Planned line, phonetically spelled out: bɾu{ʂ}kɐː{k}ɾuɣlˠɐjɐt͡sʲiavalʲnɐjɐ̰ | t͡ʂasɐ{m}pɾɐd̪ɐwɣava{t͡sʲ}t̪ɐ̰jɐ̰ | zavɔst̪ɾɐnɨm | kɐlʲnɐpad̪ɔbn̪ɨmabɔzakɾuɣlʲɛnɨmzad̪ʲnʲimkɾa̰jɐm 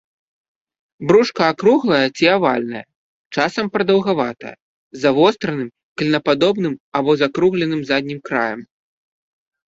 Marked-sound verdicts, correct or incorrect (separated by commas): correct, correct, correct, incorrect